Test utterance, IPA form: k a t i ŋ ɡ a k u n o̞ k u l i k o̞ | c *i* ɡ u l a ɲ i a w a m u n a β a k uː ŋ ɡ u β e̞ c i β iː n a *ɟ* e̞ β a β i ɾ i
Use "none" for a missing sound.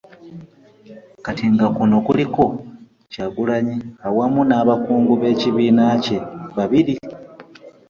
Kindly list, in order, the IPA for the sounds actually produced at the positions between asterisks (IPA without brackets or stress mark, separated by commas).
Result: a, c